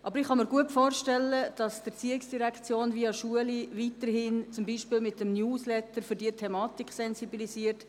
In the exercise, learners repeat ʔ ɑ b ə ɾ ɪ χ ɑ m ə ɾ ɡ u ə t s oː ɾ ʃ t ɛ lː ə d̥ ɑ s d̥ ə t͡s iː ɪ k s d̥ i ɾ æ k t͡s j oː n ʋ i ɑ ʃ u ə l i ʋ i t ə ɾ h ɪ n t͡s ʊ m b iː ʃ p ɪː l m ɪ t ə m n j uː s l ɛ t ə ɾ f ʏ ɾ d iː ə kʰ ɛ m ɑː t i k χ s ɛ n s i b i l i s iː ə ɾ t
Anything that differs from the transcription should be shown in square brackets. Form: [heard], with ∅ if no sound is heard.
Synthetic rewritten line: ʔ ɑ b ə ɾ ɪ χ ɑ m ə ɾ ɡ u ə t [f] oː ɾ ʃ t ɛ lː ə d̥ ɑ s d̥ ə t͡s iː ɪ k s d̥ i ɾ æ k t͡s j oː n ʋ i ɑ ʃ u ə l i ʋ i t ə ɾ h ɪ n t͡s ʊ m b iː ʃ p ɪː l m ɪ t ə m n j uː s l ɛ t ə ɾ f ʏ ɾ d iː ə [tʰ] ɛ m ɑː t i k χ s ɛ n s i b i l i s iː ə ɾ t